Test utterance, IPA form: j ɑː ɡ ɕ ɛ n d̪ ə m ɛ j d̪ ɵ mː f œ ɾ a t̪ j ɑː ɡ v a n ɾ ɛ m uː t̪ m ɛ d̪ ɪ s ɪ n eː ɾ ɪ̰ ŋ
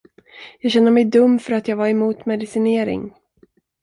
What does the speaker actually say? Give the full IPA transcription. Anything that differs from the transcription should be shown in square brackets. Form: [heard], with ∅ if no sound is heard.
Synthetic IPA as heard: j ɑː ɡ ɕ ɛ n d̪ ə m ɛ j d̪ ɵ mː f œ ɾ a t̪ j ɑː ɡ v a [∅] ɾ ɛ m uː t̪ m ɛ d̪ ɪ s ɪ n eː ɾ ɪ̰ ŋ

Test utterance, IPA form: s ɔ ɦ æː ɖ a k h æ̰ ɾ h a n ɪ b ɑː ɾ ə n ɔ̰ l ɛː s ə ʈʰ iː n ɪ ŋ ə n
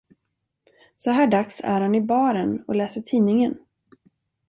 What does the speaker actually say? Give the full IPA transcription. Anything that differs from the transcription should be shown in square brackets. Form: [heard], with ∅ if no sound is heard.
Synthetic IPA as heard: s ɔ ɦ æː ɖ a k [s] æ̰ ɾ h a n ɪ b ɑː ɾ ə n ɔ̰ l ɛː s ə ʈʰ iː n ɪ ŋ ə n

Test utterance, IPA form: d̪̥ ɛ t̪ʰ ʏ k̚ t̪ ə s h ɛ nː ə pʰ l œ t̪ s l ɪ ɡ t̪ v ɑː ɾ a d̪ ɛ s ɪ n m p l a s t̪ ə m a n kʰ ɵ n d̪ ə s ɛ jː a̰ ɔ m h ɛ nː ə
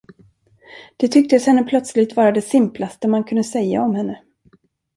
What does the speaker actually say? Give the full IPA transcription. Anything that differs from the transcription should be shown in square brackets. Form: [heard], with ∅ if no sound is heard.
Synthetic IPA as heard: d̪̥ ɛ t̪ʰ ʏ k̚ t̪ ə s h ɛ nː ə pʰ l œ t̪ s l ɪ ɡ t̪ v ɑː ɾ a d̪ ɛ s ɪ [∅] m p l a s t̪ ə m a n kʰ ɵ n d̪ ə s ɛ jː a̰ ɔ m h ɛ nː ə

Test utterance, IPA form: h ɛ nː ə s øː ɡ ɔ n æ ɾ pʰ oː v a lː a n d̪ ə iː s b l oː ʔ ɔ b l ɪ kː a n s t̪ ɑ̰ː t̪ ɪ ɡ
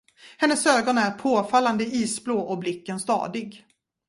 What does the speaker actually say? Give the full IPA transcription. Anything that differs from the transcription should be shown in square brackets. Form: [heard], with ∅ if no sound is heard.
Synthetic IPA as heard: h ɛ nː ə s øː ɡ ɔ n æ ɾ pʰ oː [f] a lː a n d̪ ə iː s b l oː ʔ ɔ b l ɪ kː [ə] n s t̪ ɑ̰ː [d̪] ɪ ɡ

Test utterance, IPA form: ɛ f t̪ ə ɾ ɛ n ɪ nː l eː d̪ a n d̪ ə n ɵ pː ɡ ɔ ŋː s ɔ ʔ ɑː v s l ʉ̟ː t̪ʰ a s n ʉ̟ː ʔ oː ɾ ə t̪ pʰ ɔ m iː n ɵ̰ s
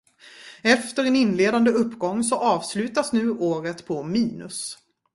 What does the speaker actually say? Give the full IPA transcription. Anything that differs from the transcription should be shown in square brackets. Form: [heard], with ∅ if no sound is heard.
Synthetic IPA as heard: ɛ f t̪ ə ɾ ɛ n ɪ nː l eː d̪ a n d̪ ə [∅] ɵ pː ɡ ɔ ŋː s ɔ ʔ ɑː v s l ʉ̟ː [t̪] a s n ʉ̟ː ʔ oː ɾ ə t̪ pʰ ɔ m iː n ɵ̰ s

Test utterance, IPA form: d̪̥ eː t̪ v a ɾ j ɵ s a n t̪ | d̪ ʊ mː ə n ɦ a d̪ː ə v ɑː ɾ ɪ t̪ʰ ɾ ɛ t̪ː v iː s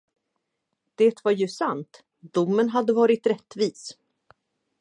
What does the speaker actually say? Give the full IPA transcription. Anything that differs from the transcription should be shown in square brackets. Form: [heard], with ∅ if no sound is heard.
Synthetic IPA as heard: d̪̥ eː t̪ v a ɾ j ɵ s a n t̪ | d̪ ʊ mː ə n ɦ a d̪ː ə v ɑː ɾ ɪ [t̪] ɾ ɛ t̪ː v iː s

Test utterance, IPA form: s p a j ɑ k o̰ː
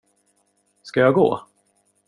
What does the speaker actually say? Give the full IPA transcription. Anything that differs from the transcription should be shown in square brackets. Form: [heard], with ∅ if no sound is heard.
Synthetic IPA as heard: s [k] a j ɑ [ɡ] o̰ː

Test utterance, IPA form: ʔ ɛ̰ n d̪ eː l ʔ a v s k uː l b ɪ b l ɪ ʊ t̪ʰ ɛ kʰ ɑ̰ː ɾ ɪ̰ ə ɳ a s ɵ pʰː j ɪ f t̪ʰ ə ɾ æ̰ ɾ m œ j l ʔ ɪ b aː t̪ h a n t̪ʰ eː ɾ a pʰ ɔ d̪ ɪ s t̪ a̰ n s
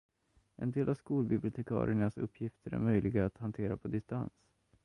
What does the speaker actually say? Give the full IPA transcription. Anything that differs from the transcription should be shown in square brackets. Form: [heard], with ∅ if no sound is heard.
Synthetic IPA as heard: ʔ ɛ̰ n d̪ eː l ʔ a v s k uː l b ɪ b l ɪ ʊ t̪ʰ ɛ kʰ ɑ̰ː ɾ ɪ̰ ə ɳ a s ɵ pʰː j ɪ f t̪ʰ ə ɾ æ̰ ɾ m œ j l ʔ ɪ [ɡ] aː t̪ h a n t̪ʰ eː ɾ a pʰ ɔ d̪ ɪ s t̪ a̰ n s

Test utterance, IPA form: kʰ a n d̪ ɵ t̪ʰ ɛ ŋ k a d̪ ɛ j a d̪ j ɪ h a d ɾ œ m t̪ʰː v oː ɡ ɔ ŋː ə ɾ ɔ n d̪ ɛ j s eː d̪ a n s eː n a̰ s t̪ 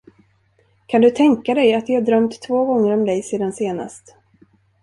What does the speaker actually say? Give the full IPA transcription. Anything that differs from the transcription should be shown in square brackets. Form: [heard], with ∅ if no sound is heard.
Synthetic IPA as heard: kʰ a n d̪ ɵ t̪ʰ ɛ ŋ k a d̪ ɛ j a [t̪] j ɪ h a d ɾ œ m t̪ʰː v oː ɡ ɔ ŋː ə ɾ ɔ [m] d̪ ɛ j s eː d̪ a n s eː n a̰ s t̪

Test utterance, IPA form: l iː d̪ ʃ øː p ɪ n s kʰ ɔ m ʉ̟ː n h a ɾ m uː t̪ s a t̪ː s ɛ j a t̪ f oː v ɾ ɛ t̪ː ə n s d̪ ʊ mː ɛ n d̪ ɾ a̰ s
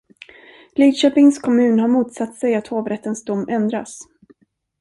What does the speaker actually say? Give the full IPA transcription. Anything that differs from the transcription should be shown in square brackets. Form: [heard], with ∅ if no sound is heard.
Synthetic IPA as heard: l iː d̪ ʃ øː p ɪ [ŋ] s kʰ ɔ m ʉ̟ː n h a ɾ m uː t̪ s a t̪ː s ɛ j a t̪ [h] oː v ɾ ɛ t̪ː ə n s d̪ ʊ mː ɛ n d̪ ɾ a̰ s

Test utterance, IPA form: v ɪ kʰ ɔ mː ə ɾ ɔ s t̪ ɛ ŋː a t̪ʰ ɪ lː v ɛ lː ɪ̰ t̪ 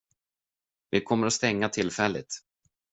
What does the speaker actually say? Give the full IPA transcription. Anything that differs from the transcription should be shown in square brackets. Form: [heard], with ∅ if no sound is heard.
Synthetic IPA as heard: v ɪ kʰ ɔ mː ə ɾ ɔ s t̪ ɛ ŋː a t̪ʰ ɪ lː [f] ɛ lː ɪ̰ t̪

